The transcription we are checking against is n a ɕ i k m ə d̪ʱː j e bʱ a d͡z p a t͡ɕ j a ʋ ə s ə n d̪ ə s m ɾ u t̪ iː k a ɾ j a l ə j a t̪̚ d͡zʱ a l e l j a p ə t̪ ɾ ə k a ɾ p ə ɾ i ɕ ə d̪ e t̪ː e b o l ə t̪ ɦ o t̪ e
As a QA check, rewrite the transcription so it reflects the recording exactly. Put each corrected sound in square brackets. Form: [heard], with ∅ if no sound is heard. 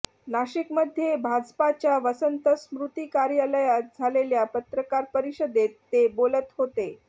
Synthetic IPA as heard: n a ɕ i k m ə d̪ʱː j e bʱ a d͡z p a t͡ɕ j a ʋ ə s ə n [t̪] ə s m ɾ u t̪ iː k a ɾ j a l ə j a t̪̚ d͡zʱ a l e l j a p ə t̪ ɾ ə k a ɾ p ə ɾ i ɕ ə d̪ e t̪ː e b o l ə t̪ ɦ o t̪ e